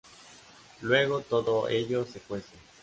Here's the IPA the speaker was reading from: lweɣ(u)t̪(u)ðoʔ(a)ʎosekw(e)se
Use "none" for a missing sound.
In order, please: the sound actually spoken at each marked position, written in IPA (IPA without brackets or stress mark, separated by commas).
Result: o, o, e, e